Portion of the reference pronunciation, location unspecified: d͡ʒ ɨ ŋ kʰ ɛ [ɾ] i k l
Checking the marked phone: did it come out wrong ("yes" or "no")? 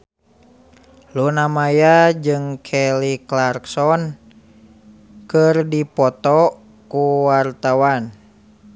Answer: yes